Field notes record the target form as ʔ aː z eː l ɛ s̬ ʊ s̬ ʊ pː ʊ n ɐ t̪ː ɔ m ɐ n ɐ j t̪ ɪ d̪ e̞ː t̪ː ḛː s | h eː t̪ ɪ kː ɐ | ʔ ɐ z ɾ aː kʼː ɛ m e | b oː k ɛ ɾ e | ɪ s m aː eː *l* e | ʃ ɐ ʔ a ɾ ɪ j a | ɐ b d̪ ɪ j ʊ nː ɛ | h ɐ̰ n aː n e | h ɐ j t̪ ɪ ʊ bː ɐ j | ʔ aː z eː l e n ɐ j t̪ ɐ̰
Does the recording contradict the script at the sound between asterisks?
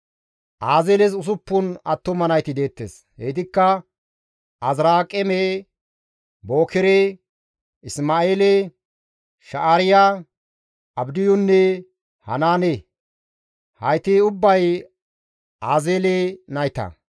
no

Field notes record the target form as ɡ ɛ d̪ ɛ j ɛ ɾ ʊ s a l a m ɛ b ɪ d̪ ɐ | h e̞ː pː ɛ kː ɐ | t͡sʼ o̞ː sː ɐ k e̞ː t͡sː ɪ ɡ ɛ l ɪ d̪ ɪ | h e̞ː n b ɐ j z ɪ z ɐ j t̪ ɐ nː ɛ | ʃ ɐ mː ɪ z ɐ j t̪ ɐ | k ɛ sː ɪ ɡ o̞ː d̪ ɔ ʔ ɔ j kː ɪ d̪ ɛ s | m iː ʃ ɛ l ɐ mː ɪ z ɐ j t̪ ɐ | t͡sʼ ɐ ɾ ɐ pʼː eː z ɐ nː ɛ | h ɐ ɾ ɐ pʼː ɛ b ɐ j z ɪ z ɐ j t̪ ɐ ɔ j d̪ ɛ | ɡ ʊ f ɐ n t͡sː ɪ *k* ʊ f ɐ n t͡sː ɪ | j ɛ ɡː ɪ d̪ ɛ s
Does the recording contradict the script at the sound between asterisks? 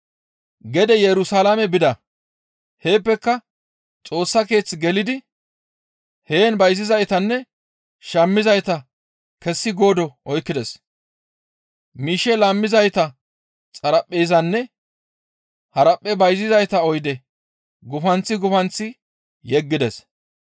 yes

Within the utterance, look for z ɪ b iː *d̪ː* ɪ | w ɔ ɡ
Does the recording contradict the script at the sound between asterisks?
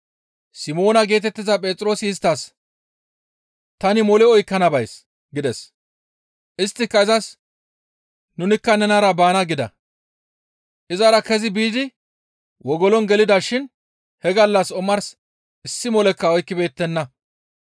yes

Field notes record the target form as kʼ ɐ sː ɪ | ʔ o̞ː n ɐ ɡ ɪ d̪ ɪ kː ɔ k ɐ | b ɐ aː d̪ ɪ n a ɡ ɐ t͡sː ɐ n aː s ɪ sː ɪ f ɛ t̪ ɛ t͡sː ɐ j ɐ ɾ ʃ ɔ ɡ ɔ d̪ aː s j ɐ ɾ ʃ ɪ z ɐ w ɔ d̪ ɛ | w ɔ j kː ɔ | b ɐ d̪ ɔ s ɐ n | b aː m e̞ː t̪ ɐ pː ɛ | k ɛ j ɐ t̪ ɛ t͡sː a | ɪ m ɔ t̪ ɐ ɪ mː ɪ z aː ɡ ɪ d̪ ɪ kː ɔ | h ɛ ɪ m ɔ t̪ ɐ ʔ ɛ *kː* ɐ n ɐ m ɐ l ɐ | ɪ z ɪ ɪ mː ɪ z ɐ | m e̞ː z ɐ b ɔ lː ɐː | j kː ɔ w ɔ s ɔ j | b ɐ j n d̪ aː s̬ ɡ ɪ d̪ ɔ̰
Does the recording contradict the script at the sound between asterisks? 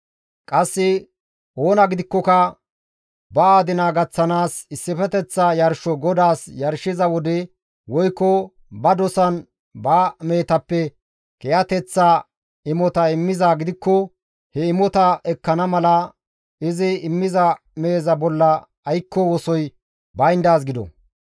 no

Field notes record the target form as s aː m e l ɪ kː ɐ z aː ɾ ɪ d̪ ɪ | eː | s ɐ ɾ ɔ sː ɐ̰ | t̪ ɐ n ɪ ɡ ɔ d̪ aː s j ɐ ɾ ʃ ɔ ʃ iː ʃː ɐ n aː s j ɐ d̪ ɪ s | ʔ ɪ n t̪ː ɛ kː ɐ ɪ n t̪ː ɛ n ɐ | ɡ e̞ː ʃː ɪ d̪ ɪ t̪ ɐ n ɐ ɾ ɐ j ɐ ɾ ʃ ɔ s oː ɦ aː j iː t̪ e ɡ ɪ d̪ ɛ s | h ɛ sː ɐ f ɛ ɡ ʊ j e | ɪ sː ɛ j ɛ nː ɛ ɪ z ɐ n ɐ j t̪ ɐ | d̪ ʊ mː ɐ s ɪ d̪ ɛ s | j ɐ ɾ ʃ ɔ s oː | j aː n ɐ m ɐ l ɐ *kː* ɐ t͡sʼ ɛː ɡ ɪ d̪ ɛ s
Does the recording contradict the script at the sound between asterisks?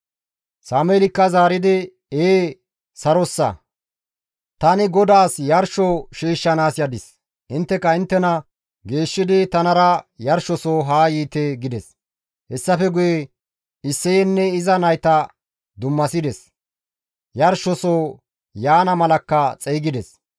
no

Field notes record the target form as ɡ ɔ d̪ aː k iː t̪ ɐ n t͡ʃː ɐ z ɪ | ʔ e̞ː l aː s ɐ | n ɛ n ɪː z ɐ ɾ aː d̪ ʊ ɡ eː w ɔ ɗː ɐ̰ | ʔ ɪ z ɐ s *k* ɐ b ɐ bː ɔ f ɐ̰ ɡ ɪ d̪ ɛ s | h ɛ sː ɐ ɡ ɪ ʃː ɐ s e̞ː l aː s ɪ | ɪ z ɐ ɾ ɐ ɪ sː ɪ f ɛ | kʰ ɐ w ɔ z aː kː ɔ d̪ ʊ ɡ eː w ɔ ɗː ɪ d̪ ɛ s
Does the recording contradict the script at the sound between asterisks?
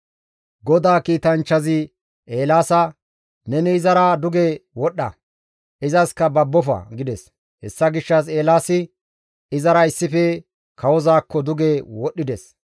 no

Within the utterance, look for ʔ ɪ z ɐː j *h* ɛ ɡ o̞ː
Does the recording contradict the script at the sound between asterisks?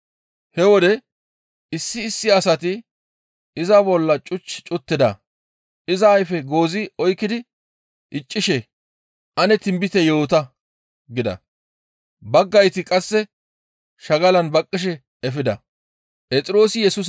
yes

